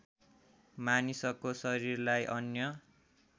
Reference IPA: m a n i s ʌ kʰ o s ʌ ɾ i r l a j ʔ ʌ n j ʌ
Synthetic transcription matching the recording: m a n i s ʌ k o s ʌ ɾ i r l a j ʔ ʌ n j ʌ